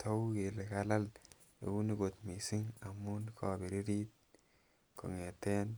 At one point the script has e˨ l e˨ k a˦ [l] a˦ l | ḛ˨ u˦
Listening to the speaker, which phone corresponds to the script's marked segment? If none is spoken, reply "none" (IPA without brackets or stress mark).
l